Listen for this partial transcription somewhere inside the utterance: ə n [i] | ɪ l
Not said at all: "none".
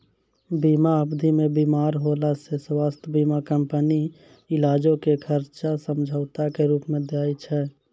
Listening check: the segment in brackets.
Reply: i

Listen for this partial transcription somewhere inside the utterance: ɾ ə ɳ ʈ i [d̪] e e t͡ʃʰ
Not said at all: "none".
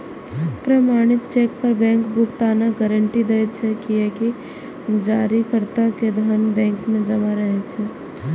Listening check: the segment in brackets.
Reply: d̪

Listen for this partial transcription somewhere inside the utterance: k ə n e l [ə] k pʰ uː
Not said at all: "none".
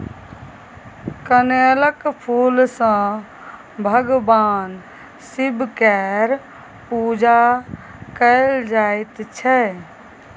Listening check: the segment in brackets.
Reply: ə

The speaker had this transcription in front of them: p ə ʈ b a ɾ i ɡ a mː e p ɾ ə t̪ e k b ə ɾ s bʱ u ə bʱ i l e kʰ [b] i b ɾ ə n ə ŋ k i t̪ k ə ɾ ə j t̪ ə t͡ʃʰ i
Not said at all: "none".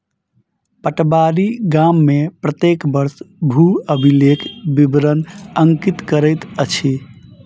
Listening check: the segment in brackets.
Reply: b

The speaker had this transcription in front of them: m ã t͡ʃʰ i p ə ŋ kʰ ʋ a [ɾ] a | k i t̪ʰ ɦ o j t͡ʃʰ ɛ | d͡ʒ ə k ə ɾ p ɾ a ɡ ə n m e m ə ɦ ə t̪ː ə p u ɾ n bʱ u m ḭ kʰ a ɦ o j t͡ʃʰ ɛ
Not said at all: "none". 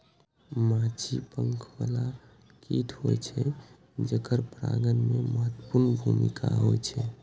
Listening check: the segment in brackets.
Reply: l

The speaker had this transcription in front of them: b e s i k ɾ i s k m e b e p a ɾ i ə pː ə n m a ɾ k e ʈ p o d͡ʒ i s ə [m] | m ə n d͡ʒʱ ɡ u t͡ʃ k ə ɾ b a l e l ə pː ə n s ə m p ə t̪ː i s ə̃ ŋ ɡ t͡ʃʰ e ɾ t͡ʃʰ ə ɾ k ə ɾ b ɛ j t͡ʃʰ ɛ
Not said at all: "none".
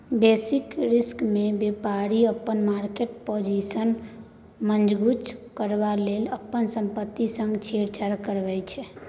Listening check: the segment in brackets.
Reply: n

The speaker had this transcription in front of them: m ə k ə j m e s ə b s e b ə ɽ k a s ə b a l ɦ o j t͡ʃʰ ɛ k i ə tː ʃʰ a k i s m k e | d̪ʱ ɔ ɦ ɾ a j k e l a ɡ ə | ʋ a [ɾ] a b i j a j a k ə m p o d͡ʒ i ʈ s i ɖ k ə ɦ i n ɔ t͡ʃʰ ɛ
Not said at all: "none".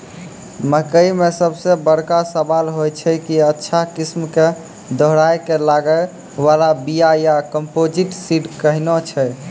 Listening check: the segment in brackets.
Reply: l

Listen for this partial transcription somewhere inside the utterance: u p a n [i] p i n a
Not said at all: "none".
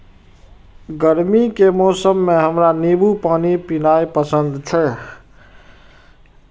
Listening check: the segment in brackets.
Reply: i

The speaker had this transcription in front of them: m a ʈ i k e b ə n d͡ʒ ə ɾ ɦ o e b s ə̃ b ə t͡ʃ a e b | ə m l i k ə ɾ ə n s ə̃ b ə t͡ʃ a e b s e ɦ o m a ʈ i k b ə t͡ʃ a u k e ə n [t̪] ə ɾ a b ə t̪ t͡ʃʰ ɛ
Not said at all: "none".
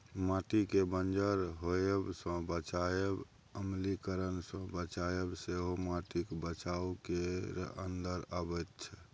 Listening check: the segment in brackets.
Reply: d̪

